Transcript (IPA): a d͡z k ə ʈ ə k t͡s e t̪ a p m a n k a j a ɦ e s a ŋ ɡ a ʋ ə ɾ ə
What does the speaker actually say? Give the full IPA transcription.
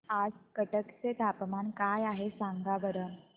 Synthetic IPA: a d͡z k ə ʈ ə k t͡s e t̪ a p m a n k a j a ɦ e s a ŋ ɡ a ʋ ə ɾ ə